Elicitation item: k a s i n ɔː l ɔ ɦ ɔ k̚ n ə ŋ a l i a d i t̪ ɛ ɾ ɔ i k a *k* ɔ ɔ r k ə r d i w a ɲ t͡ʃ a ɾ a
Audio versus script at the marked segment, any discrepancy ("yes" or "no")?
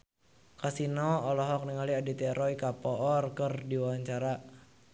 yes